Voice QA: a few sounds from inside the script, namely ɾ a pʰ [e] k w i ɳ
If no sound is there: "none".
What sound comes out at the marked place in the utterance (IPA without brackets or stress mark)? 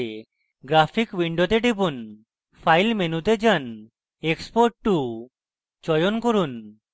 i